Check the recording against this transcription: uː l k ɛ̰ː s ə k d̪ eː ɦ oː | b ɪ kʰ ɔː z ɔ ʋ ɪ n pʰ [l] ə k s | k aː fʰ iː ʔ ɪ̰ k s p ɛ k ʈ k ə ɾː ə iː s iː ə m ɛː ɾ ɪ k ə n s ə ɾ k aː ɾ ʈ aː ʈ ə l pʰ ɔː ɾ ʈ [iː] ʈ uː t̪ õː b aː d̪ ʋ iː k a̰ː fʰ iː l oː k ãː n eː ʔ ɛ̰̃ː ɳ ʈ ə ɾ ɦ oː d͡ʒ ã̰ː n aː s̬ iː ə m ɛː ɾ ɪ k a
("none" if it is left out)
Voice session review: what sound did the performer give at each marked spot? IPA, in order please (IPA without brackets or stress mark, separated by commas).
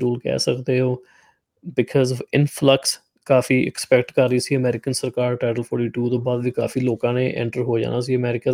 l, iː